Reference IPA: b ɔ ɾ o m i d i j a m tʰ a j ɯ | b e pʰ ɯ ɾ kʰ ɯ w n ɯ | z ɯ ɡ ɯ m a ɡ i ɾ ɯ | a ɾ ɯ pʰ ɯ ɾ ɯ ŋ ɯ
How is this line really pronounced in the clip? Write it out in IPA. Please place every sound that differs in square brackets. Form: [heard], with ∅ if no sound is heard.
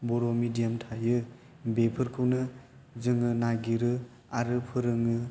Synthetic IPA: b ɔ ɾ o m i d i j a m tʰ a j ɯ | b e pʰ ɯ ɾ kʰ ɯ w n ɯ | z ɯ [ŋ] ɯ [n] a ɡ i ɾ ɯ | a ɾ ɯ pʰ ɯ ɾ ɯ ŋ ɯ